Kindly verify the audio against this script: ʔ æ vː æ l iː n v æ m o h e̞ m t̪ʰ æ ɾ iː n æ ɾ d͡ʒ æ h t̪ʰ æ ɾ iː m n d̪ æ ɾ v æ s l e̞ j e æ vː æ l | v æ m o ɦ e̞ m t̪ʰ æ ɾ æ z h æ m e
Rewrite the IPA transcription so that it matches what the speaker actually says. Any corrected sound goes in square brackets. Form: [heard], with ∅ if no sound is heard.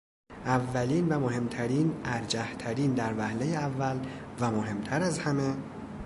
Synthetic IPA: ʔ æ vː æ l iː n v æ m o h e̞ m t̪ʰ æ ɾ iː n æ ɾ d͡ʒ æ h t̪ʰ æ ɾ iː [∅] n d̪ æ ɾ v æ [h] l e̞ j e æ vː æ l | v æ m o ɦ e̞ m t̪ʰ æ ɾ æ z h æ m e